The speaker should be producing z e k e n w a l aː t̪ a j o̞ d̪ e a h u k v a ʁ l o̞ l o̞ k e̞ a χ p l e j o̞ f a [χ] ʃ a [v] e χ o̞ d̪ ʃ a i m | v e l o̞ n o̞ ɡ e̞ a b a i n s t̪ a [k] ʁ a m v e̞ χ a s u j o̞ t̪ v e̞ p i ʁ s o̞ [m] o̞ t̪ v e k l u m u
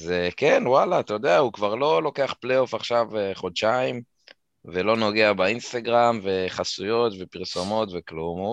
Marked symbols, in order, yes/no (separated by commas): yes, yes, no, yes